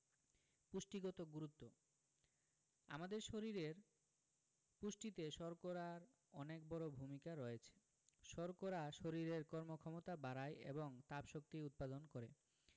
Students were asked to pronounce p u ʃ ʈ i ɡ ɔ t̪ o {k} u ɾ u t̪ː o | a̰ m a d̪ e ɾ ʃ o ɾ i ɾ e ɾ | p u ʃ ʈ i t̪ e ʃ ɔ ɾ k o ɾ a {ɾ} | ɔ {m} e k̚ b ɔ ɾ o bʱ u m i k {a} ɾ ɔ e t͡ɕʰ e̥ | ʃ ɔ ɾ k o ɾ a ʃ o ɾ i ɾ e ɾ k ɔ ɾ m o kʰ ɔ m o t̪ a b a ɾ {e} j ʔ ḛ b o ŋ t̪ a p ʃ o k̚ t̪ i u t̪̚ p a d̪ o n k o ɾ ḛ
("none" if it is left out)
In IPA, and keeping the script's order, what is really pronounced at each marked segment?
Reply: ɡ, ɾ, n, a, a

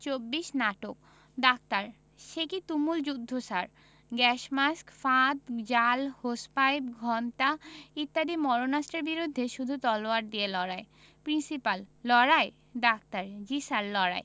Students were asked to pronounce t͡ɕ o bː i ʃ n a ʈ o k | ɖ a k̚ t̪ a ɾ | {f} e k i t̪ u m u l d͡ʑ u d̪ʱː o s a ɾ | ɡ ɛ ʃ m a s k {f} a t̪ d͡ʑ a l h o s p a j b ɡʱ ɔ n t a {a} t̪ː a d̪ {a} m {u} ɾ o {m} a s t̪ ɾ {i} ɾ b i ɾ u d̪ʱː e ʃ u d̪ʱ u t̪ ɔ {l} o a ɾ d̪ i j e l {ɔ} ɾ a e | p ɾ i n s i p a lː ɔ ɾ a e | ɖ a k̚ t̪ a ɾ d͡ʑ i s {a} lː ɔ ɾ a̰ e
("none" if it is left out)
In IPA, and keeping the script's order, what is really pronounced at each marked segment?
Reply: ʃ, f, i, i, ɔ, n, e, l, ɔ, a

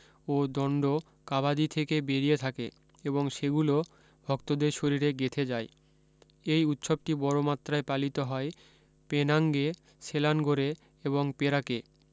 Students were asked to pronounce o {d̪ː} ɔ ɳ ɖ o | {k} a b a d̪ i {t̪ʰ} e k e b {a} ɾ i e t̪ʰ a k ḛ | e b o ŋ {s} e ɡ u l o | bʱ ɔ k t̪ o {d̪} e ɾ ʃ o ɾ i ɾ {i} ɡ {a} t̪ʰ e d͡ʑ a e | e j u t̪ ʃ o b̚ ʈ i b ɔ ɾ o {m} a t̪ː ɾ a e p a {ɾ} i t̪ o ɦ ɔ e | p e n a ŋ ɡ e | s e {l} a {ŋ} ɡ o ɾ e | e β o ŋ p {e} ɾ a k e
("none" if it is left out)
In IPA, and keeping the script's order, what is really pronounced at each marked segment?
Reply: d̪, k, t̪ʰ, e, ʃ, d̪, e, e, m, l, l, n, e

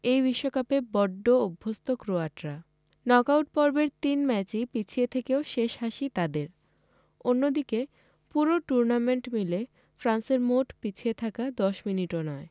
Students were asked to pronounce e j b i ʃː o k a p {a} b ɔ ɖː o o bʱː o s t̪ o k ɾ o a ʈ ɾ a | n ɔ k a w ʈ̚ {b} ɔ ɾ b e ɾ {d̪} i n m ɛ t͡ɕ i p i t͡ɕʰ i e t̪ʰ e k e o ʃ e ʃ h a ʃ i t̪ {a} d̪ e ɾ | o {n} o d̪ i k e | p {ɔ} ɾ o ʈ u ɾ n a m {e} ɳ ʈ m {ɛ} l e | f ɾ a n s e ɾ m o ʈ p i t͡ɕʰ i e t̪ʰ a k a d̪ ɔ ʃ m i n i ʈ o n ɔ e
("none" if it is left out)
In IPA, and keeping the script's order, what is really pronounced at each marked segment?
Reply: e, p, t̪, a, nː, u, e, i

